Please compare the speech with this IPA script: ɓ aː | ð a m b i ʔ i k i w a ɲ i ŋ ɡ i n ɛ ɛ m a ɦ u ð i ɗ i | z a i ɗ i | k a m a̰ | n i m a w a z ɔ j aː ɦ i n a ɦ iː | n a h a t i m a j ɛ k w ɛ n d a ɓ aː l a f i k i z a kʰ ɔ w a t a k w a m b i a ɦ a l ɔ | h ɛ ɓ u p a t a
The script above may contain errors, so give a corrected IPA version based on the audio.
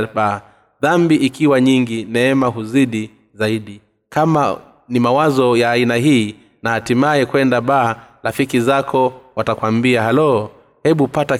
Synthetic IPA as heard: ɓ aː | ð a m b i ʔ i k i w a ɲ i ŋ ɡ i n ɛ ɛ m a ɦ u z i ɗ i | z a i ɗ i | k a m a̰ | n i m a w a z ɔ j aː i n a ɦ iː | n a h a t i m a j ɛ k w ɛ n d a ɓ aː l a f i k i z a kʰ ɔ w a t a k w a m b i a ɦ a l ɔ | h ɛ ɓ u p a t a